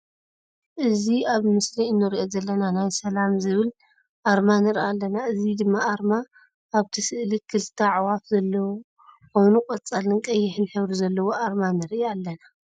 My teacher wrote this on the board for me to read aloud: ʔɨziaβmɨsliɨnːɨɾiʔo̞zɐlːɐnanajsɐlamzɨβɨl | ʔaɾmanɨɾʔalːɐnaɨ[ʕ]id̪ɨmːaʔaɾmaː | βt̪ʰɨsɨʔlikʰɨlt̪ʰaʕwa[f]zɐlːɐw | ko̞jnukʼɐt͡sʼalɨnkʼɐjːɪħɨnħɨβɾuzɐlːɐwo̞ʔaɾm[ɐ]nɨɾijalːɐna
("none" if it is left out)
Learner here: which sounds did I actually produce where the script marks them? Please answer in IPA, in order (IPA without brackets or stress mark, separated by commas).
z, f, a